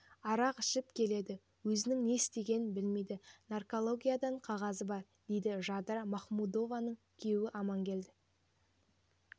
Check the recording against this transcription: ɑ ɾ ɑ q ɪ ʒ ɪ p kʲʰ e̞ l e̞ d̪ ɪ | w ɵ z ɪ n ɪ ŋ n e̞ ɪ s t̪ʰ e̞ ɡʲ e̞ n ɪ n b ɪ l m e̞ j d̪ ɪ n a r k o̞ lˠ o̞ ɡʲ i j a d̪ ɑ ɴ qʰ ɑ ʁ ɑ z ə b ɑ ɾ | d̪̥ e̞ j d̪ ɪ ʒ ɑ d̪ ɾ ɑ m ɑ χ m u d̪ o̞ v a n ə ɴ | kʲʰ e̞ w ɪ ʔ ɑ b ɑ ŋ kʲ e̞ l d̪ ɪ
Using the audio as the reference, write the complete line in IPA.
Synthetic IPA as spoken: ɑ ɾ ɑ q ɪ ʃ ɪ p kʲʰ e̞ l e̞ d̪ ɪ | w ɵ z ɪ n ɪ ŋ n e̞ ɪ s t̪ e̞ ɡʲ e̞ n ɪ n b ɪ l m e̞ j d̪ ɪ n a r k o̞ lˠ o̞ ɡʲ i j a d̪ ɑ ɴ qʰ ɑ ʁ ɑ z ə b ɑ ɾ | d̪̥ e̞ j d̪ ɪ ʒ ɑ d̪ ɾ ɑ m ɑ χ m u d̪ o̞ v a n ə ɴ | kʲʰ e̞ w ɪ ʔ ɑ m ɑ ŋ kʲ e̞ l d̪ ɪ